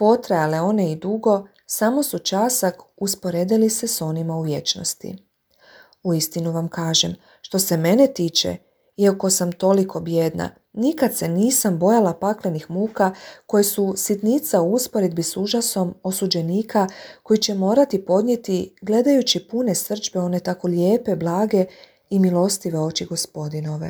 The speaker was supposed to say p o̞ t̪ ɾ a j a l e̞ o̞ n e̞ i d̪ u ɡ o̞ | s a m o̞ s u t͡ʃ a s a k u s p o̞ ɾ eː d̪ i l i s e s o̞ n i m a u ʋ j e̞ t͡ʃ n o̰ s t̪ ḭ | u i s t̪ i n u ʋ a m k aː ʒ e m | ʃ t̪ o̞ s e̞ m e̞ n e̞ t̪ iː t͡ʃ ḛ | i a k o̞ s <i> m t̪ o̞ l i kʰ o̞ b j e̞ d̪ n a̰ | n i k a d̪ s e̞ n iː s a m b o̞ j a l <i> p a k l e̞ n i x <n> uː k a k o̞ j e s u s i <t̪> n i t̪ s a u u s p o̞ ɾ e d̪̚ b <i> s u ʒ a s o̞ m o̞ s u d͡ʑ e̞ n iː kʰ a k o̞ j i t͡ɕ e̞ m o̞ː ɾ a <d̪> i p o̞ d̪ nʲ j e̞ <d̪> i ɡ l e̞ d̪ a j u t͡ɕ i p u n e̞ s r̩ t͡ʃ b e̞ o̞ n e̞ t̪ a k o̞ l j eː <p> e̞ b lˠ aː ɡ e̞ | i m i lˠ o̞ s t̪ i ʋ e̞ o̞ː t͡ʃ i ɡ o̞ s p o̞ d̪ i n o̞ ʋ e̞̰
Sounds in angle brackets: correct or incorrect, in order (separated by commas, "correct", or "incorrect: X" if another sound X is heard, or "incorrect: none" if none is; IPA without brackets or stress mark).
incorrect: a, incorrect: a, incorrect: m, correct, correct, incorrect: t̪, incorrect: t̪, correct